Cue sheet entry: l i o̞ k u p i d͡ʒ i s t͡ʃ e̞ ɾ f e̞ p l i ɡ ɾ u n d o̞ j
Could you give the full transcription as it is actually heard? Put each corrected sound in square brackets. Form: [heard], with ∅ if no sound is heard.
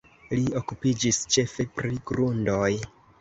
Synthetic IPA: l i o̞ k u p i d͡ʒ i s t͡ʃ e̞ [∅] f e̞ p [ɾ] i ɡ ɾ u n d o̞ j